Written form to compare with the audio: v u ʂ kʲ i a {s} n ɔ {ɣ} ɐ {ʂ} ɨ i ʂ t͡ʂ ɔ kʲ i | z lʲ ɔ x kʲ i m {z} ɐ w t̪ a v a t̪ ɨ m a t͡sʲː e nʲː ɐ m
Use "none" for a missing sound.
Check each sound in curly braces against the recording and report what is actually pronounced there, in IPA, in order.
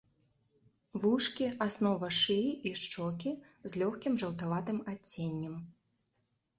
s, v, ʂ, ʐ

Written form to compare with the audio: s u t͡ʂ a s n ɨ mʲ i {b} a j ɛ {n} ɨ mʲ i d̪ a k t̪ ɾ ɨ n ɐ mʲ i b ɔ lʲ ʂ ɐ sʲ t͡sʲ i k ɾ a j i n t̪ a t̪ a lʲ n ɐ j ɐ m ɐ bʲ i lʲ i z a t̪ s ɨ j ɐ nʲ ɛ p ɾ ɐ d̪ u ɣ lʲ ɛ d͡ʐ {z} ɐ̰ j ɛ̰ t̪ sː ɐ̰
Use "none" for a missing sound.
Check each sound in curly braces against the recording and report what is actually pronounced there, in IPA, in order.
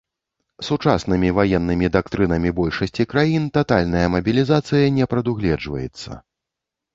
v, nː, v

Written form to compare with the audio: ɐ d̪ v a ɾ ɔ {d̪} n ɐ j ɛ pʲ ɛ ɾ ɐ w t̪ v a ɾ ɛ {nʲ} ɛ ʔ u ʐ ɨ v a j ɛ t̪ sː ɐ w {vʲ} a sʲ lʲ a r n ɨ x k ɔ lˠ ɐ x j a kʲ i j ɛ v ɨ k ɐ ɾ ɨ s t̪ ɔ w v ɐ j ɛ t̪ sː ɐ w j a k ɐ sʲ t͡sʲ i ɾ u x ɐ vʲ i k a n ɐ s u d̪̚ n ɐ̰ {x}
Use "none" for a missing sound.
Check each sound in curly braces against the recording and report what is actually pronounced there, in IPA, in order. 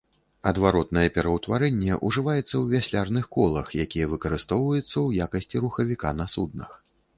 t̪, nʲː, vʲ, x

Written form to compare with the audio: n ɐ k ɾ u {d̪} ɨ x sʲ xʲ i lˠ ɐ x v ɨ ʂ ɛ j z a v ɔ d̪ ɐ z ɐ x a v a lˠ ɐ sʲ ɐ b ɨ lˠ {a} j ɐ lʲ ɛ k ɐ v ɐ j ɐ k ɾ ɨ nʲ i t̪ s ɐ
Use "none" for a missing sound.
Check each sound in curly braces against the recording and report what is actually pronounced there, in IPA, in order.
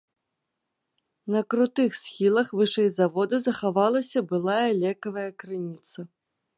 t̪, a

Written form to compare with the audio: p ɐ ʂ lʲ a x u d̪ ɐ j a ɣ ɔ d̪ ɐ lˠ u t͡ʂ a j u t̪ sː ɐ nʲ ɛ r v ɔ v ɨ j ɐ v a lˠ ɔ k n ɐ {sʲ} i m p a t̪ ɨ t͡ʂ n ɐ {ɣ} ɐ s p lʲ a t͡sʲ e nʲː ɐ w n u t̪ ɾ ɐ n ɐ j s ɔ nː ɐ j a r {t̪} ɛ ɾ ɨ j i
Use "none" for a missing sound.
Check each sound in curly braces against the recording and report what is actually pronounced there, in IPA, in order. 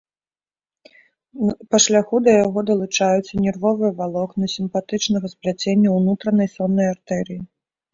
sʲ, ɣ, t̪

